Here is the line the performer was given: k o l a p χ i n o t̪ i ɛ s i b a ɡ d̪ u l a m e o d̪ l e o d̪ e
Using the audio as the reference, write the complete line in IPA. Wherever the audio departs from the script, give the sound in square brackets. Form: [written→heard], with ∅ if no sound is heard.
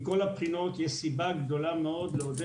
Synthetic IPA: k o l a p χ i n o t̪ [i→j] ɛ s i b a ɡ d̪ [u→o] l a m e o d̪ l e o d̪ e